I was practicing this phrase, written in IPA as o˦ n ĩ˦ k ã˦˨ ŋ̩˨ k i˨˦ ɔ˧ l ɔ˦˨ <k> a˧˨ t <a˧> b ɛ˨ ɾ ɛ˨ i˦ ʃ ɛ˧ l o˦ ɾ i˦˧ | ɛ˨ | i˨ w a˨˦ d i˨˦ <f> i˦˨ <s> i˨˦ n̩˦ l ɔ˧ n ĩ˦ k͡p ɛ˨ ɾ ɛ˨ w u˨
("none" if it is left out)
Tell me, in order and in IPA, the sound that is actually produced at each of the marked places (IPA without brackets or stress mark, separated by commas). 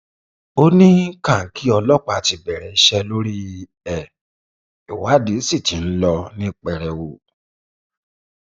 k͡p, i˧, s, t